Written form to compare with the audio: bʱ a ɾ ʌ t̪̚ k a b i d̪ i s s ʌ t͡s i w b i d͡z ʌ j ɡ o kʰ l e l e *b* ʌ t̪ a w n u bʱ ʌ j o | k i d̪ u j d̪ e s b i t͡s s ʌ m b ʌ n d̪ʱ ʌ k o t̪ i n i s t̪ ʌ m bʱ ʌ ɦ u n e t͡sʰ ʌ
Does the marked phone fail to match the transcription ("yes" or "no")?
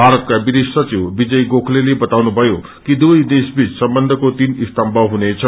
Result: no